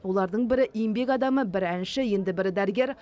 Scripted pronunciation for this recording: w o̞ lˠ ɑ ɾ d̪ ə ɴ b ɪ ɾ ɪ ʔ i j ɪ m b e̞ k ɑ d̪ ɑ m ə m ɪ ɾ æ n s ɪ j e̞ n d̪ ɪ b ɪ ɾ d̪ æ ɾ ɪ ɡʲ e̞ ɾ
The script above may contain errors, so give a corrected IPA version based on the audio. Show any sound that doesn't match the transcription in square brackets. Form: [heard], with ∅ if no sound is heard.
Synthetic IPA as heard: w o̞ lˠ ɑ ɾ d̪ ə ɴ b ɪ ɾ ɪ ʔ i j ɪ m b e̞ k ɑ d̪ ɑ m ə [b] ɪ ɾ æ n [ʃ] ɪ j e̞ n d̪ ɪ b ɪ ɾ d̪ æ ɾ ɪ ɡʲ e̞ ɾ